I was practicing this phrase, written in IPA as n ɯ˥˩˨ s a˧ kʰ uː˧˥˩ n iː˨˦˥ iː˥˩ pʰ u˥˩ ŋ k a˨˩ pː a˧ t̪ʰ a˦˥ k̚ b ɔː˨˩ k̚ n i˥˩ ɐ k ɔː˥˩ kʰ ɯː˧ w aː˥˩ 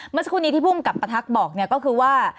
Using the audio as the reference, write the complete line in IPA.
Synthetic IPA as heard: m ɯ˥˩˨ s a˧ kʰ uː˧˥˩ n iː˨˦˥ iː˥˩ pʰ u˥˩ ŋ k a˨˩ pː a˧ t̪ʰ a˦˥ k̚ b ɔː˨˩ k̚ n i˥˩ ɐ k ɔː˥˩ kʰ ɯː˧ w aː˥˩